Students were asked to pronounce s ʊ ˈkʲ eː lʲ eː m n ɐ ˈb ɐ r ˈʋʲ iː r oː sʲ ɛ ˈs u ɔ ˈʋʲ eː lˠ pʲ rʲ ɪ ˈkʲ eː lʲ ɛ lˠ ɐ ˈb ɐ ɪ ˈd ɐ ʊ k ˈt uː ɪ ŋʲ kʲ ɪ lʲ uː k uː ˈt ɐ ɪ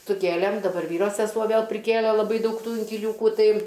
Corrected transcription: s ʊ ˈkʲ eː lʲ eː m d ɐ ˈb ɐ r ˈʋʲ iː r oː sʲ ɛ ˈs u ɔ ˈʋʲ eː lˠ pʲ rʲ ɪ ˈkʲ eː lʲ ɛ lˠ ɐ ˈb ɐ ɪ ˈd ɐ ʊ k ˈt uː ɪ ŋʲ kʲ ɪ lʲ uː k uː ˈt ɐ ɪ